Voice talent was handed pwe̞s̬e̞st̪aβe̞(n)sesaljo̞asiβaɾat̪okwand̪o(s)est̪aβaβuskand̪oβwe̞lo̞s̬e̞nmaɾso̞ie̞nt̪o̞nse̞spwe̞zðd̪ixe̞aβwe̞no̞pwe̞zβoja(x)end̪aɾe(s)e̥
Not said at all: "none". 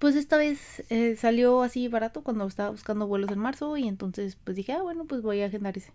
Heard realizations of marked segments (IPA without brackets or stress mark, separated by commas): none, none, x, s